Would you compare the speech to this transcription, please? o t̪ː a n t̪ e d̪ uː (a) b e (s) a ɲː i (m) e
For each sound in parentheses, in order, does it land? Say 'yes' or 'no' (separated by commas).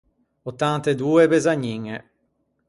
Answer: no, no, no